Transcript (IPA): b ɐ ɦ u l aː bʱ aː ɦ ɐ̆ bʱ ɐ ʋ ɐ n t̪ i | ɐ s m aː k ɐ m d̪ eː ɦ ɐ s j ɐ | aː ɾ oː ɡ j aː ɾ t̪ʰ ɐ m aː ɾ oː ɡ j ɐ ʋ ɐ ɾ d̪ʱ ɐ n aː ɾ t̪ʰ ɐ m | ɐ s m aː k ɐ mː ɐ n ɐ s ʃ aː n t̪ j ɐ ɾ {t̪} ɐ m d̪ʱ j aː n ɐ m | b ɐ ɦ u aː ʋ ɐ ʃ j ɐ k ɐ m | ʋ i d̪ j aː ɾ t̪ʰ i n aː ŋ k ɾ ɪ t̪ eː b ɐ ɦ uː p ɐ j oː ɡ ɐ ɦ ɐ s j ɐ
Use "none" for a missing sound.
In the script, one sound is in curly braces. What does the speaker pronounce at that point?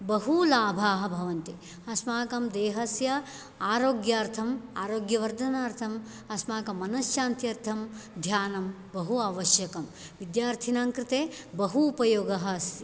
t̪ʰ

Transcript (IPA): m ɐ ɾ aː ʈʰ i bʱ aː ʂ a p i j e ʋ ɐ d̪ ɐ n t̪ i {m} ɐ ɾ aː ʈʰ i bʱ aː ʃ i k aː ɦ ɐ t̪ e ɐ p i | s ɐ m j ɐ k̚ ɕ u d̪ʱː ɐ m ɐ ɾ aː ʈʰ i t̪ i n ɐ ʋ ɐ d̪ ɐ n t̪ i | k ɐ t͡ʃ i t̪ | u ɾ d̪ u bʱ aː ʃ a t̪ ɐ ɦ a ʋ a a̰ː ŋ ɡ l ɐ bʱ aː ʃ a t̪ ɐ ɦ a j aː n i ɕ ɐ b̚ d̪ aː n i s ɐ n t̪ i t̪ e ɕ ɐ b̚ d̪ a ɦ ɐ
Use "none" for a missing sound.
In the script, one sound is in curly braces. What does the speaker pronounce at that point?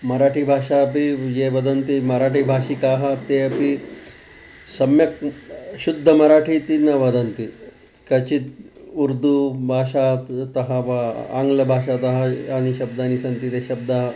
m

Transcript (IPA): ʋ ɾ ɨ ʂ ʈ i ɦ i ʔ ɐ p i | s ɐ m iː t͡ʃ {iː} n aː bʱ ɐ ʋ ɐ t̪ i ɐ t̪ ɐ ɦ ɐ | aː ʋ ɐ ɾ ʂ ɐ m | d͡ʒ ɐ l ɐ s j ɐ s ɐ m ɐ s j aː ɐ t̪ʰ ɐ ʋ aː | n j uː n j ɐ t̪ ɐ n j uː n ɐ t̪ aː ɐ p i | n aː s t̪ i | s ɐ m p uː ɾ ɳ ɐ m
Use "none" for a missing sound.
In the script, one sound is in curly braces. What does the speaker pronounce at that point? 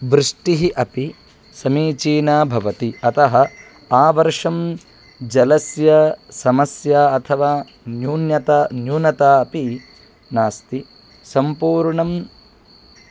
iː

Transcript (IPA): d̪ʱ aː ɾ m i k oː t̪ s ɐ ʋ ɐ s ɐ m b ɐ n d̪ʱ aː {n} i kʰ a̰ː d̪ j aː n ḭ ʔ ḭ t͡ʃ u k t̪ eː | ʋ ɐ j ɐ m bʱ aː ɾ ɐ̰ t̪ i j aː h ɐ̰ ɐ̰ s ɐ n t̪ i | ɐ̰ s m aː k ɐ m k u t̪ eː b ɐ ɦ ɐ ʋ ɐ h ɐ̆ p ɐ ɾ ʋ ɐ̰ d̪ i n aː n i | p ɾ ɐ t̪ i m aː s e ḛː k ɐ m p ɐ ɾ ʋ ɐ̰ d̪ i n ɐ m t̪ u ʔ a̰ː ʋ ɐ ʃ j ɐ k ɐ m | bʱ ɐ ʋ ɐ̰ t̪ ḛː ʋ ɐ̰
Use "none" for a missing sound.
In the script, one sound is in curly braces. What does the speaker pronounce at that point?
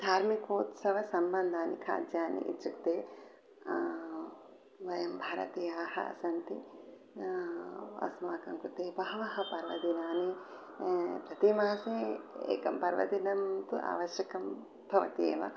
n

